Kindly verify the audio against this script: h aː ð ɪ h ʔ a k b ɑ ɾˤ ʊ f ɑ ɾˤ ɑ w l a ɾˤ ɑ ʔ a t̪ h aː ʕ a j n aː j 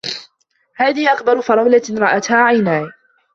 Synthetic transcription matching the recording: h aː ð ɪ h ʔ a k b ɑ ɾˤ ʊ f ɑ ɾˤ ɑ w l a ɾˤ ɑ ʔ a t̪ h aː ʕ a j n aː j